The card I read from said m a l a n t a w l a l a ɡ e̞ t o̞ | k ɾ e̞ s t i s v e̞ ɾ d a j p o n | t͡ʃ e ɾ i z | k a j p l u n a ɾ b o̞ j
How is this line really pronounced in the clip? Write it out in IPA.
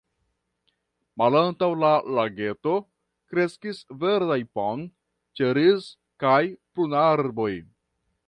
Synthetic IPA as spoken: m a l a n t a w l a l a ɡ e̞ t o̞ | k ɾ e̞ s k i s v e̞ ɾ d a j p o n | t͡ʃ e ɾ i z | k a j p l u n a ɾ b o̞ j

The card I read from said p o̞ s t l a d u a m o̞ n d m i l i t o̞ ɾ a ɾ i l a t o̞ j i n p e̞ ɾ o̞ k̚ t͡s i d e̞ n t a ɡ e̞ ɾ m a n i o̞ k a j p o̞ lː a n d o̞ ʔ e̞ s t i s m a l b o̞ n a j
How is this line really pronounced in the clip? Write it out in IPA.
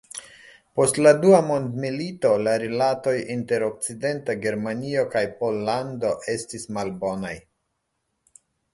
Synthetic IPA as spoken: p o̞ s t l a d u a m o̞ n d m i l i t o̞ l a ɾ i l a t o̞ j i n t e̞ ɾ o̞ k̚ t͡s i d e̞ n t a ɡ e̞ ɾ m a n i o̞ k a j p o̞ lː a n d o̞ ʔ e̞ s t i s m a l b o̞ n a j

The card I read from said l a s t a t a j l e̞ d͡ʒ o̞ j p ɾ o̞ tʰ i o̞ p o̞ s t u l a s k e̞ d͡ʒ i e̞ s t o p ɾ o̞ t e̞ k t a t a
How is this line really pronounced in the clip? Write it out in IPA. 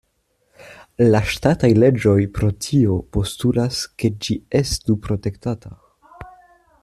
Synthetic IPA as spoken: l a ʃ t a t a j l e̞ d͡ʒ o̞ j p ɾ o̞ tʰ i o̞ p o̞ s t u l a s k e̞ d͡ʒ i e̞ s t u p ɾ o̞ t e̞ k t a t a

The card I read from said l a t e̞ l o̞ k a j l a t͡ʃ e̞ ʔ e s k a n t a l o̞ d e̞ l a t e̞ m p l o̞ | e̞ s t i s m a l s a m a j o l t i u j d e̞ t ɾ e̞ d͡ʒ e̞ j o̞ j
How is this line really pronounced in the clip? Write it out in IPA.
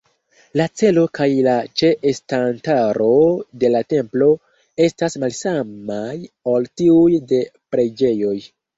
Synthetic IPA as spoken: l a t͡s e̞ l o̞ k a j l a t͡ʃ e̞ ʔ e s t a n t a ɾ o̞ d e̞ l a t e̞ m p l o̞ | e̞ s t a s m a l s a m a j o l t i u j d e̞ p ɾ e̞ d͡ʒ e̞ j o̞ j

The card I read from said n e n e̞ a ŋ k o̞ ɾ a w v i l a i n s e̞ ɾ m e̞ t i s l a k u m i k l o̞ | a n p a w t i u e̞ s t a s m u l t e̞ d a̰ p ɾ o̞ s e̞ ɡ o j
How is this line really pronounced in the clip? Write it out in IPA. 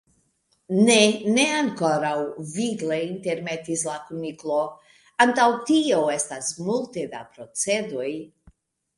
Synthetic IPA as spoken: n e n e̞ a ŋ k o̞ ɾ a w v i l e i n t e̞ ɾ m e̞ t i s l a k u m i k l o̞ | a n t a w t i o e̞ s t a s m u l t e̞ d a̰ p ɾ o̞ t͡s e̞ d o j

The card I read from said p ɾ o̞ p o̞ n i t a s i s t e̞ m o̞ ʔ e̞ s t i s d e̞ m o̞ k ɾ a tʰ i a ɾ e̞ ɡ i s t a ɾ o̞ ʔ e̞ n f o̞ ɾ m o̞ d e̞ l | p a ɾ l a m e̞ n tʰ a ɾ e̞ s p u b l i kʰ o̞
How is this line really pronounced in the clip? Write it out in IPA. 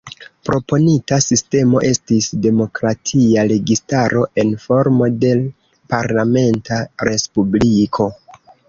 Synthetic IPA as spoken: p ɾ o̞ p o̞ n i t a s i s t e̞ m o̞ ʔ e̞ s t i s d e̞ m o̞ k ɾ a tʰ i a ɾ e̞ ɡ i s t a ɾ o̞ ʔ e̞ n f o̞ ɾ m o̞ d e̞ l | p a ɾ l a m e̞ n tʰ a ɾ e̞ s p u b l i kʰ o̞

